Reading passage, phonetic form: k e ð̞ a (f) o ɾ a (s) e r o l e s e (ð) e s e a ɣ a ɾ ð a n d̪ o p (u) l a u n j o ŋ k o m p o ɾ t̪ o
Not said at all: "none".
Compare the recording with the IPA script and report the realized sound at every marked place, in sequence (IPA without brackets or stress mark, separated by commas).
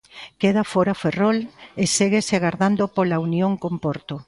f, f, ɣ, o